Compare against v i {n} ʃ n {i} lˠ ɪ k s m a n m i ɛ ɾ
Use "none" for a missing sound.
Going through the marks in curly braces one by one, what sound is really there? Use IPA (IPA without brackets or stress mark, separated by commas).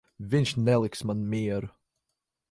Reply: n, ɛ